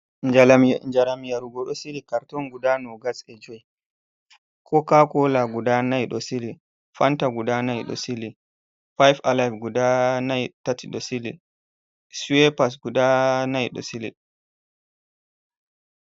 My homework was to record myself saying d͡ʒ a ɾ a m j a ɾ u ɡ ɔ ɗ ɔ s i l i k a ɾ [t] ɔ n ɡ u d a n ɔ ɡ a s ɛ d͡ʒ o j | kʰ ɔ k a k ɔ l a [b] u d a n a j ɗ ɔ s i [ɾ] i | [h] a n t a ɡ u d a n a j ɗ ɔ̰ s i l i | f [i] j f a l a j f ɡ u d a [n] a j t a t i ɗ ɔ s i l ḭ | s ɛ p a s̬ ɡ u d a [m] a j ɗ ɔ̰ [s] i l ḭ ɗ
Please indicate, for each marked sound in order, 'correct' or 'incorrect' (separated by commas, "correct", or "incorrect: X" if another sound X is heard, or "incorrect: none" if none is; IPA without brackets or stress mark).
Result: correct, incorrect: ɡ, incorrect: l, incorrect: f, incorrect: a, correct, incorrect: n, correct